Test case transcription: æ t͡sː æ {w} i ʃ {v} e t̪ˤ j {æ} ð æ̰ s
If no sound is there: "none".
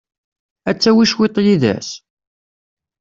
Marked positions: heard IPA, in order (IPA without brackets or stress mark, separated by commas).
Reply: w, w, i